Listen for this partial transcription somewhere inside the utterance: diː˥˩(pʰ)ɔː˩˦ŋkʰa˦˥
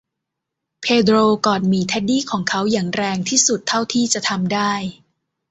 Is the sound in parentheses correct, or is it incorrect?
incorrect